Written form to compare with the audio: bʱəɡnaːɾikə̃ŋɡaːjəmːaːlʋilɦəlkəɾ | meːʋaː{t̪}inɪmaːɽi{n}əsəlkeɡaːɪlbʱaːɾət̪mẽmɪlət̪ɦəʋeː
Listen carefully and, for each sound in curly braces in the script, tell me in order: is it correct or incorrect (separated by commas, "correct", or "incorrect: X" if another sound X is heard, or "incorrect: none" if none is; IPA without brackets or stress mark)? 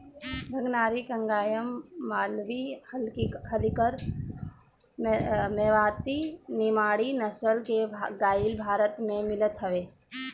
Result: correct, correct